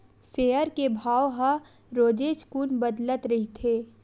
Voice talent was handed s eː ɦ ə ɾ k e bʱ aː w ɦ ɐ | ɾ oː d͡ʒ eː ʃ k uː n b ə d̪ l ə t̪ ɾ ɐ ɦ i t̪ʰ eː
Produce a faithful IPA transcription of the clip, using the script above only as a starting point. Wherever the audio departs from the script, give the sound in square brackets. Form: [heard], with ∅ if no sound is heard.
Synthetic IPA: s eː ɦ ə ɾ k e bʱ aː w ɦ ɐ | ɾ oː d͡ʒ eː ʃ k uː n b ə d̪ l ə t̪ ɾ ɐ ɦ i t̪ʰ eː